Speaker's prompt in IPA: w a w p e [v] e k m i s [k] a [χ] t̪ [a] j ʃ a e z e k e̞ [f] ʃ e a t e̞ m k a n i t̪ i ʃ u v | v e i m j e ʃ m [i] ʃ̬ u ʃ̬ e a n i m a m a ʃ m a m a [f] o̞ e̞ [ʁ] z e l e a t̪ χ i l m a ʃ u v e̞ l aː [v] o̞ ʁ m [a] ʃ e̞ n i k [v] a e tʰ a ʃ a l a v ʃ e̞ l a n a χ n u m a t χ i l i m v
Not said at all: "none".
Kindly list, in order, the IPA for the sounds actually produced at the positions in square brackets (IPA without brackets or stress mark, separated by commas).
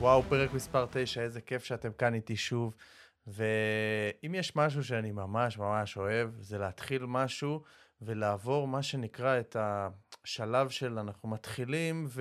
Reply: ʁ, p, ʁ, e, f, a, ʃ, v, v, a, ʁ